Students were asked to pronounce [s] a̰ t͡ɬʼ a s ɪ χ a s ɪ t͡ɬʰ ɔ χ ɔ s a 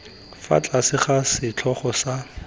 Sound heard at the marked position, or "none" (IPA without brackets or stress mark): f